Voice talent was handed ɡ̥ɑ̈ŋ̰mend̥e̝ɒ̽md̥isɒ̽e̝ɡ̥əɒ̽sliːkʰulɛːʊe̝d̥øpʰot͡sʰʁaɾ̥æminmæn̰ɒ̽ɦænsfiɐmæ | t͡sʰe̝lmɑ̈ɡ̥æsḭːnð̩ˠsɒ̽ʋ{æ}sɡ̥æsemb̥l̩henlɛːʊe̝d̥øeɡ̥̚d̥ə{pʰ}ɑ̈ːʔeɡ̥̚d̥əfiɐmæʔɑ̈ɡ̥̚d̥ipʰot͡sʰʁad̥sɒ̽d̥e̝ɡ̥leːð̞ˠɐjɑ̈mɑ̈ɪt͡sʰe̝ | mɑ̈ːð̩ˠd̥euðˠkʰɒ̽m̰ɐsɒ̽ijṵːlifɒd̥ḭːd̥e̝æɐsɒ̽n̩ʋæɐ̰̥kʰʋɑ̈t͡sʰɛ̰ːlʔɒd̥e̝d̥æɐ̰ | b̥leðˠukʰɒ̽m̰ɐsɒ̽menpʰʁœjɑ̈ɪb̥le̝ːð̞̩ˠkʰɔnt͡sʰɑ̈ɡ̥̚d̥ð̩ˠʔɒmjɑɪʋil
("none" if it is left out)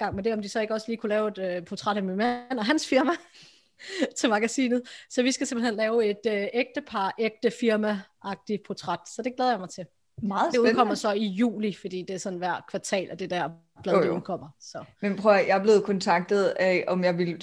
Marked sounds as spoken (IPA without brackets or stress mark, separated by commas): i, pʰ